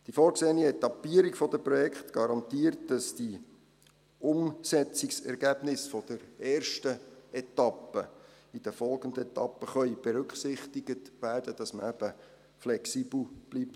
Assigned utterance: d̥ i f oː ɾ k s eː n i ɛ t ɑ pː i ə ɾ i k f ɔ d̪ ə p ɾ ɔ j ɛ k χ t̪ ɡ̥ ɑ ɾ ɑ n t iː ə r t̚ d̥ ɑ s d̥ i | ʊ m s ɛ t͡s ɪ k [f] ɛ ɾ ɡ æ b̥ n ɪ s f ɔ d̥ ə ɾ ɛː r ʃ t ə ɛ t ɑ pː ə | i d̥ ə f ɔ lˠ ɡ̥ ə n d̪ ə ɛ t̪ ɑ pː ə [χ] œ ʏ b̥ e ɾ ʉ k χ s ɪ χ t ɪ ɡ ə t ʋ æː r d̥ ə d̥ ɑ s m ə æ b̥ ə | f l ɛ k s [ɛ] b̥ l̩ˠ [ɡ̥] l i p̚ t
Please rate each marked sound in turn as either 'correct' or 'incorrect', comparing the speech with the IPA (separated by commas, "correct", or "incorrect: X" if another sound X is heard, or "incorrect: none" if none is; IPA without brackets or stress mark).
incorrect: s, correct, incorrect: i, incorrect: b̥